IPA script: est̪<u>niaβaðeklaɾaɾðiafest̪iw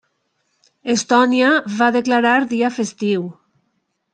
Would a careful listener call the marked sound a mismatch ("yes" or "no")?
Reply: yes